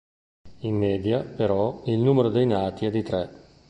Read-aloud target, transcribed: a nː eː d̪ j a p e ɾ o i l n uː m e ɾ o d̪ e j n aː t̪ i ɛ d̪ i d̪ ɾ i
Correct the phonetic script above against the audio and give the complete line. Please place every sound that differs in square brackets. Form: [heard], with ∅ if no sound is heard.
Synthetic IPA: [i] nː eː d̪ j a p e ɾ [ɔ] i l n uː m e ɾ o d̪ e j n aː t̪ i ɛ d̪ i [t̪] ɾ [ɛ]